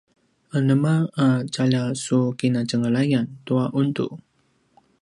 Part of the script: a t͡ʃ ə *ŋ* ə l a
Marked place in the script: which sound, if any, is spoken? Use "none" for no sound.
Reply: ŋ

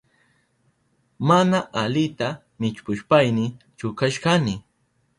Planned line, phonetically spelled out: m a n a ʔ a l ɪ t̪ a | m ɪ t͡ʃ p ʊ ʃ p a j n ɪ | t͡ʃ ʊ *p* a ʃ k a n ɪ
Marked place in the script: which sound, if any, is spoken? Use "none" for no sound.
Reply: k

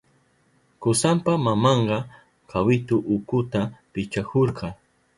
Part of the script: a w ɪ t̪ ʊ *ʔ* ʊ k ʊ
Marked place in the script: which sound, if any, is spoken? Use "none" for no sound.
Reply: ʔ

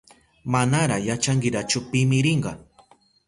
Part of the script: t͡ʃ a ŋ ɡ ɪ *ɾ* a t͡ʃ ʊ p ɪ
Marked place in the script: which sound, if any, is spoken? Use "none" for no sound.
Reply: ɾ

